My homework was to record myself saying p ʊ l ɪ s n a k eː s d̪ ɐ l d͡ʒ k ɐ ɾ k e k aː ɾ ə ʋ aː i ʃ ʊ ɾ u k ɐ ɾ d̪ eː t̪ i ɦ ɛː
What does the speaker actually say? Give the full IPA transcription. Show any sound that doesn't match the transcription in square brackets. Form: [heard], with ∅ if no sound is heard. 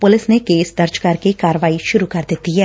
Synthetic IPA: p ʊ l ɪ s n [e] k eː s d̪ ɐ [ɾ] d͡ʒ k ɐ ɾ k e k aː ɾ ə ʋ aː i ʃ ʊ ɾ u k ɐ ɾ d̪ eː t̪ i ɦ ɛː